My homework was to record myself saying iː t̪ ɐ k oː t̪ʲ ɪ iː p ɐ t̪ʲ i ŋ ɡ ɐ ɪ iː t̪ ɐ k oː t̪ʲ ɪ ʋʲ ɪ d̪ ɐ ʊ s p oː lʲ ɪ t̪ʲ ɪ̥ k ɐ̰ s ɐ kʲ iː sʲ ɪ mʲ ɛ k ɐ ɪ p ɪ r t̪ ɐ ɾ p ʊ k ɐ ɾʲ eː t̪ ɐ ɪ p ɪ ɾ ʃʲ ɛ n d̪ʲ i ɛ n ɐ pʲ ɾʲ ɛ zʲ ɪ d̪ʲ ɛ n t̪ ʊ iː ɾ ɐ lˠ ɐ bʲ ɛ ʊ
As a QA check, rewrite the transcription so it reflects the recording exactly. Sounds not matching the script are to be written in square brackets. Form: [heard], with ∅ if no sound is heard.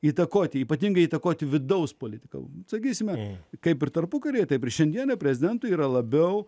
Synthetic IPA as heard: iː t̪ ɐ k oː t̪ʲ ɪ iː p ɐ t̪ʲ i ŋ ɡ ɐ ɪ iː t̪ ɐ k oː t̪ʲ ɪ ʋʲ ɪ d̪ ɐ ʊ s p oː lʲ ɪ t̪ʲ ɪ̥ k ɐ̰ s ɐ kʲ iː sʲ ɪ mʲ ɛ k ɐ ɪ p ɪ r t̪ ɐ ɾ p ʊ k ɐ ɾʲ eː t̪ ɐ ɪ p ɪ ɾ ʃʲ ɛ n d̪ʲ i ɛ n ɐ pʲ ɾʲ ɛ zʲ ɪ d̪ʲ ɛ n t̪ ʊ iː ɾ ɐ lˠ ɐ bʲ ɛ ʊ